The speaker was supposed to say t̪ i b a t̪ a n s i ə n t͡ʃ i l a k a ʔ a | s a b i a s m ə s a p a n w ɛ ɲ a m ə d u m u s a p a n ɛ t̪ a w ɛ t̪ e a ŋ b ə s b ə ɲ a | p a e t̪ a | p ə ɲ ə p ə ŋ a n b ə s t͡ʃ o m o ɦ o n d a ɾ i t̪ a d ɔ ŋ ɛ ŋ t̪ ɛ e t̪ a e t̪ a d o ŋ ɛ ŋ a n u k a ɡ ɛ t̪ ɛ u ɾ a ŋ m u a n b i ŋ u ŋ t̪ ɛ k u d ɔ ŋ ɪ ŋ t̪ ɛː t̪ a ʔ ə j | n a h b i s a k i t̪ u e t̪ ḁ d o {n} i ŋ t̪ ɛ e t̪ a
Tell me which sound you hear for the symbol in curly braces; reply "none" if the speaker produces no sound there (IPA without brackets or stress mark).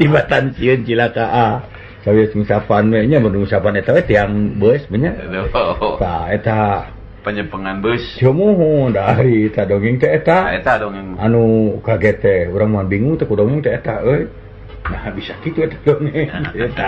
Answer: ŋ